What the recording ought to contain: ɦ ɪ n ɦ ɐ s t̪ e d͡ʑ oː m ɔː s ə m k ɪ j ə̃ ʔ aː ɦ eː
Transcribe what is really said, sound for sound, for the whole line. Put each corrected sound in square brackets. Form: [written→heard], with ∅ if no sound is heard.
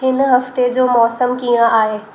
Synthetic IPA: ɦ ɪ n ɦ ɐ [s→f] t̪ e d͡ʑ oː m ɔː s ə m k [ɪ→i] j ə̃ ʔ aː ɦ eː